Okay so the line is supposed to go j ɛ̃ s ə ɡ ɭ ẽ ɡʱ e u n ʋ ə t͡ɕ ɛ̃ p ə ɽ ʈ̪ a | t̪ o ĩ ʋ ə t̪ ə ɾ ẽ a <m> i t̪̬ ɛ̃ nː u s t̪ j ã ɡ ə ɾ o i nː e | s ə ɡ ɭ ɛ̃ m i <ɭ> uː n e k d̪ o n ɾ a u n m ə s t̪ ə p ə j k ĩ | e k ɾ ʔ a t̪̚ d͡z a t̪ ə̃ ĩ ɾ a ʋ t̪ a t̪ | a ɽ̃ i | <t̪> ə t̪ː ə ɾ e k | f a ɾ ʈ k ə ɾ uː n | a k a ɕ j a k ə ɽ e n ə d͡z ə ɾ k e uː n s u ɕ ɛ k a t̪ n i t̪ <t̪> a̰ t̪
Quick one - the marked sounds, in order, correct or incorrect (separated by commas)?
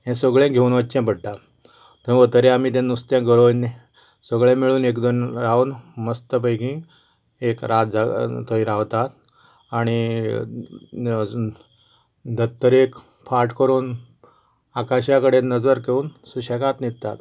correct, correct, incorrect, correct